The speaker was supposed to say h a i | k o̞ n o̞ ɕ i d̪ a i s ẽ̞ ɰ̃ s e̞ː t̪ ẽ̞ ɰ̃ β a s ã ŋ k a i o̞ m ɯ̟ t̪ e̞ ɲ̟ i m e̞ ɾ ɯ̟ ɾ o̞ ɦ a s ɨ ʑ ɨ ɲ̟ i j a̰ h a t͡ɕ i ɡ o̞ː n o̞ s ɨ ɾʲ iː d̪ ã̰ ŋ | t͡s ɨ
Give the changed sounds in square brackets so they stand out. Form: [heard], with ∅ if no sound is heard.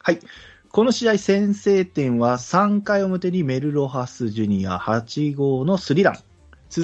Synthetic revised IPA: h a i | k o̞ n o̞ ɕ i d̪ a i s ẽ̞ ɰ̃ s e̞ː t̪ ẽ̞ ɰ̃ β a s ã ŋ k a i o̞ m ɯ̟ t̪ e̞ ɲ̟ i m e̞ ɾ ɯ̟ ɾ o̞ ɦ a s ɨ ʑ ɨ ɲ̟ i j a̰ h a t͡ɕ i ɡ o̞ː n o̞ s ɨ ɾʲ [i] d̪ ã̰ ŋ | t͡s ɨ